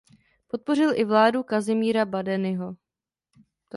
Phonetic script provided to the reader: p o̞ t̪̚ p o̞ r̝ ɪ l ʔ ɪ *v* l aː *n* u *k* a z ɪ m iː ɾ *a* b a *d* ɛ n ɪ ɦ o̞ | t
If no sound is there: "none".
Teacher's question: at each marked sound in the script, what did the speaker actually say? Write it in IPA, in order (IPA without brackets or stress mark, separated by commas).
v, d, k, a, d